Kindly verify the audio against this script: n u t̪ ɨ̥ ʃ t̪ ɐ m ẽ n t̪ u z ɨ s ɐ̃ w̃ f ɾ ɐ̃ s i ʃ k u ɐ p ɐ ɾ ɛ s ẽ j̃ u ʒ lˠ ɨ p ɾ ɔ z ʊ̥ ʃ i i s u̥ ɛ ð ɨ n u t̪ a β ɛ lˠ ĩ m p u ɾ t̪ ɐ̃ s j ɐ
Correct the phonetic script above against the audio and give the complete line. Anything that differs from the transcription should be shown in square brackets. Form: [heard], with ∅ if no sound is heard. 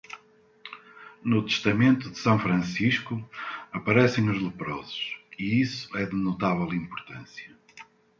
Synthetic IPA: n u t̪ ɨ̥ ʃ t̪ ɐ m ẽ n t̪ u [ð] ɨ s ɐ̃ w̃ f ɾ ɐ̃ s i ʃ k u ɐ p ɐ ɾ ɛ s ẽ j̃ u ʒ lˠ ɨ p ɾ ɔ z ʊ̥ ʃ i i s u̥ ɛ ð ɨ n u t̪ a [v] ɛ lˠ ĩ m p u ɾ t̪ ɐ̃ s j ɐ